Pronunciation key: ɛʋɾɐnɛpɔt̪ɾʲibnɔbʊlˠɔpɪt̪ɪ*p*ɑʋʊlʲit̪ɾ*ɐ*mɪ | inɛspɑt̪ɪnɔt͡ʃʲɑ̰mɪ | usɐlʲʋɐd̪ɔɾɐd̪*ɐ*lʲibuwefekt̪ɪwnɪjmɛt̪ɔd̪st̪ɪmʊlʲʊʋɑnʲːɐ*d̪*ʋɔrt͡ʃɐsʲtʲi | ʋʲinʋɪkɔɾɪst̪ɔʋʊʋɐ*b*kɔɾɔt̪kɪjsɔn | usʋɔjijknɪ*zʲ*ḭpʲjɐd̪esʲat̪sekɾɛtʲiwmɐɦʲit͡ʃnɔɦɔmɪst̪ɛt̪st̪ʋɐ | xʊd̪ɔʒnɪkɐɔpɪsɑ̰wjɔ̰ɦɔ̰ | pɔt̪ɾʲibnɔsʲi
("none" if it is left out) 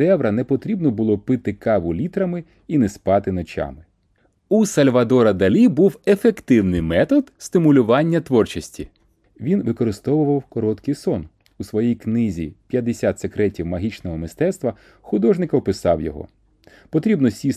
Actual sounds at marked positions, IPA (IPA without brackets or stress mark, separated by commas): k, ɐ, ɐ, t̪, w, zʲ